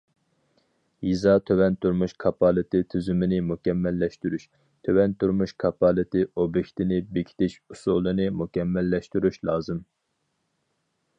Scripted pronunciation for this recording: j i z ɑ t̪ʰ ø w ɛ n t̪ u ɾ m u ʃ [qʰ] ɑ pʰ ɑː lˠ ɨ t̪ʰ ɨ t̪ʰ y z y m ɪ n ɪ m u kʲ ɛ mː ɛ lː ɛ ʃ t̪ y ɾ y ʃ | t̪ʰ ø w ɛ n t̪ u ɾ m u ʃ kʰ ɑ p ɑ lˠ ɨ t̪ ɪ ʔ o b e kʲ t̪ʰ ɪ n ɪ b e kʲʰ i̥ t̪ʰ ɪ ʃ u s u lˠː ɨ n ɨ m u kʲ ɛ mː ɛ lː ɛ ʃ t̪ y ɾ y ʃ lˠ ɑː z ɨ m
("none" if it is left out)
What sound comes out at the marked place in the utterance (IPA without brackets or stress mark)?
kʰ